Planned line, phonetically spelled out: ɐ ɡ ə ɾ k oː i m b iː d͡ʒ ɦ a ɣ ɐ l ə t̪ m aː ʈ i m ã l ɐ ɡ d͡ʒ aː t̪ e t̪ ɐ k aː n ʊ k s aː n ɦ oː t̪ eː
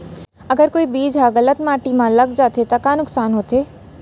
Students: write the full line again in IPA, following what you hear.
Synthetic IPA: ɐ ɡ ə ɾ k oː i b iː d͡ʒ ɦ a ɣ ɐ l ə t̪ m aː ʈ i m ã l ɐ ɡ d͡ʒ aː t̪ e t̪ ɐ k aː n ʊ k s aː n ɦ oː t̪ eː

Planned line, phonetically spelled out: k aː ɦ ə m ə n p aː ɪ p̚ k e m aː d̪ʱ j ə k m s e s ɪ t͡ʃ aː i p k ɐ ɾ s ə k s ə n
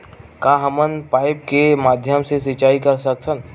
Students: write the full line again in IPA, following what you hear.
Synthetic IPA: k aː ɦ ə m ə n p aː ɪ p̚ k e m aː d̪ʱ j ə m s e s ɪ t͡ʃ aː i k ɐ ɾ s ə k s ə n

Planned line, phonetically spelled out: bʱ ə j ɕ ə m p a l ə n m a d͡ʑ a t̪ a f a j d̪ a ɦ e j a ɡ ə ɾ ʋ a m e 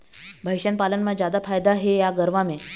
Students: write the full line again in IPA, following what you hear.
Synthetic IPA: bʱ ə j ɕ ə n p a l ə n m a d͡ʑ a d̪ a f a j d̪ a ɦ e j a ɡ ə ɾ ʋ a m e

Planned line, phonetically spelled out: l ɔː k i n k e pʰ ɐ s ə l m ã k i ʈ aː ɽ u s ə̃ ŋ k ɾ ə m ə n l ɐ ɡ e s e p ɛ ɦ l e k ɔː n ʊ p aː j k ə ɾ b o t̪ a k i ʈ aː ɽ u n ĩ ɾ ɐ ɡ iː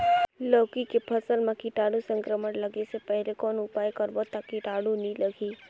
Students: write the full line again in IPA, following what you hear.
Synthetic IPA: l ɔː k i k e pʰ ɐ s ə l m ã k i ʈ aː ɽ u s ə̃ ŋ k ɾ ə m ə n l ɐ ɡ e s e p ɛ ɦ l e k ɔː n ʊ p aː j k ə ɾ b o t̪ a k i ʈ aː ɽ u n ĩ l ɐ ɡ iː

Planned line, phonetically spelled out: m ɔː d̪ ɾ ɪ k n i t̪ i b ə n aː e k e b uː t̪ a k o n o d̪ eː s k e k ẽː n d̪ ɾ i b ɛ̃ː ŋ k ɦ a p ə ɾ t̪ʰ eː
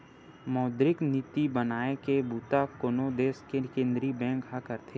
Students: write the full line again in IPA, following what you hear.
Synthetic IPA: m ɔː d̪ ɾ ɪ k n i t̪ i b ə n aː e k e b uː t̪ a k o n o d̪ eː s k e k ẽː n d̪ ɾ i b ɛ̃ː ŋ k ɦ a k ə ɾ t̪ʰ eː

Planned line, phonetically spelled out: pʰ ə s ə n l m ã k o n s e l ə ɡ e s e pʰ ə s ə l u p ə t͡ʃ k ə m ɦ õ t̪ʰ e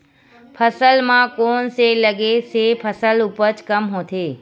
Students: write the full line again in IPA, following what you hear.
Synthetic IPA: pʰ ə s ə l m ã k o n s e l ə ɡ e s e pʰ ə s ə l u p ə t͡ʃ k ə m ɦ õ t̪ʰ e

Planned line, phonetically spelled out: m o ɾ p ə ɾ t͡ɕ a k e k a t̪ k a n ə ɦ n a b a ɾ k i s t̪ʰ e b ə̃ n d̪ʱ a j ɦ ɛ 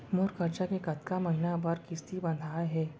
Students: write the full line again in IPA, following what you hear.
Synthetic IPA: m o ɾ k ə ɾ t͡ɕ a k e k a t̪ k a m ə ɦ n a b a ɾ k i s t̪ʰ i b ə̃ n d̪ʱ a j ɦ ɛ

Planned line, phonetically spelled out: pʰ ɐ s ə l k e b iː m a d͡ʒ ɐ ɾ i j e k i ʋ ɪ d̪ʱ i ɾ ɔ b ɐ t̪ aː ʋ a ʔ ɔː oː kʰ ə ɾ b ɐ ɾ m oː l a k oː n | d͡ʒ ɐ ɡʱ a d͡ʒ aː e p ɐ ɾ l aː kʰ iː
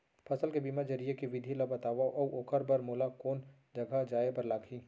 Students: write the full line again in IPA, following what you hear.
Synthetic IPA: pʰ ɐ s ə l k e b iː m a d͡ʒ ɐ ɾ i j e k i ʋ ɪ d̪ʱ i l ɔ b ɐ t̪ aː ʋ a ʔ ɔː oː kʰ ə ɾ b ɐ ɾ m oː l a k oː n | d͡ʒ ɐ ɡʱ a d͡ʒ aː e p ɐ ɾ l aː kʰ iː

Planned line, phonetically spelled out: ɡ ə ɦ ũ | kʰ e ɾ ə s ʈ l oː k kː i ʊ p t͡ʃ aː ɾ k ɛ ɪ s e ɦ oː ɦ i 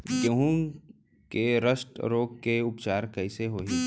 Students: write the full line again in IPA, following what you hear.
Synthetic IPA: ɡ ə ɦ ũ | k e ɾ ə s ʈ ɾ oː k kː e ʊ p t͡ʃ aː ɾ k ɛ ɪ s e ɦ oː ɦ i

